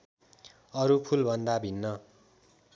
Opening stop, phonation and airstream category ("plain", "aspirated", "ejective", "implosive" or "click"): aspirated